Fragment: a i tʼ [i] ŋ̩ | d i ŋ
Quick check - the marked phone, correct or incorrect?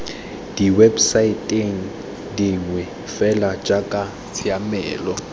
incorrect